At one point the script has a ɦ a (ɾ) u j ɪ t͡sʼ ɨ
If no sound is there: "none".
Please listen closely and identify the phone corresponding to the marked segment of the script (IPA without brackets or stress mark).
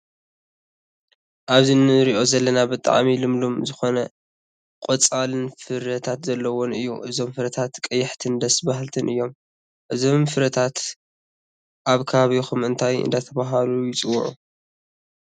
l